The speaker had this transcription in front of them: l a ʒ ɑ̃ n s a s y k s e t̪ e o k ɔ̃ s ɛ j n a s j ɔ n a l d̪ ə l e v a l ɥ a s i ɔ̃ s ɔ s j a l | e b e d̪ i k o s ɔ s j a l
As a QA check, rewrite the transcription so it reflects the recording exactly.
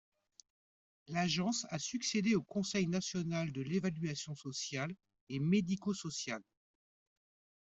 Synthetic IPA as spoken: l a ʒ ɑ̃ s a s y k s e d̪ e o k ɔ̃ s ɛ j n a s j ɔ n a l d̪ ə l e v a l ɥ a s j ɔ̃ s ɔ s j a l | e m e d̪ i k o s ɔ s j a l